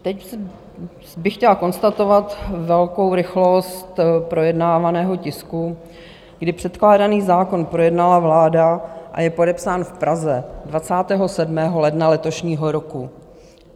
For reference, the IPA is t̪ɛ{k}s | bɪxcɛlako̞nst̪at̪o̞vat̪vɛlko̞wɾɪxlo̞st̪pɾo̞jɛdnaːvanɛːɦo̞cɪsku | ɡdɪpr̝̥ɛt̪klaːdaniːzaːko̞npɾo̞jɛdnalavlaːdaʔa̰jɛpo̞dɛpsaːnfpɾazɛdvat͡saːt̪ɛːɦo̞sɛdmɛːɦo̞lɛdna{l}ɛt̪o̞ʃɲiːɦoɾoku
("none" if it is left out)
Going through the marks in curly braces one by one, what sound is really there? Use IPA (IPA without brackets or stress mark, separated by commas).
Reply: c, l